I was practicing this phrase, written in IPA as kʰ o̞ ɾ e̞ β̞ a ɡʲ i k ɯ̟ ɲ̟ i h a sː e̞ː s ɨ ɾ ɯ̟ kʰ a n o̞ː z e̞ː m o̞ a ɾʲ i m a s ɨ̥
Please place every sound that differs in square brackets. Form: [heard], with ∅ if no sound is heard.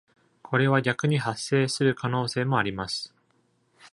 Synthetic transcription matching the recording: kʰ o̞ ɾ e̞ β̞ a ɡʲ [a] k ɯ̟ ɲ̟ i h a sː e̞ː s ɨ ɾ ɯ̟ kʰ a n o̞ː [s] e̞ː m o̞ a ɾʲ i m a s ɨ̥